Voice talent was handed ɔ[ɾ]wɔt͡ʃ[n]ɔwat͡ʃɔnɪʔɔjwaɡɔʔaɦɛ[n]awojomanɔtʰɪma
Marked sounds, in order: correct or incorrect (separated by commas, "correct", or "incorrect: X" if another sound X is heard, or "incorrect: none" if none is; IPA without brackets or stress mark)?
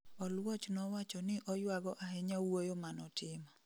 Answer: incorrect: l, correct, incorrect: ɲ